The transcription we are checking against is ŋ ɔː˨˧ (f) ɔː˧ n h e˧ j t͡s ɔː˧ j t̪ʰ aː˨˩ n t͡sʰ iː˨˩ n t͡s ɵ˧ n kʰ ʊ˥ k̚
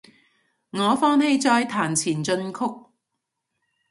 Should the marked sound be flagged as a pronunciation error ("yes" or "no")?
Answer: no